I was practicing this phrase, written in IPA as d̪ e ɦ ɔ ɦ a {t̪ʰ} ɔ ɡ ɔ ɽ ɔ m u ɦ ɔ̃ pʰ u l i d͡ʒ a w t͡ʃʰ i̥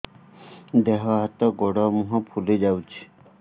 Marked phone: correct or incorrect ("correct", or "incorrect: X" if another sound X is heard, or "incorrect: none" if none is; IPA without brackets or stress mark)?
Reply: incorrect: t̪